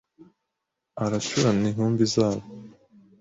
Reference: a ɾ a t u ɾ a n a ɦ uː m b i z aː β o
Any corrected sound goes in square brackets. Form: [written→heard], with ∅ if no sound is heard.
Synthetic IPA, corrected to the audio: a ɾ a [t→t͡ʃ] u ɾ a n [a→i] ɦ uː m b i z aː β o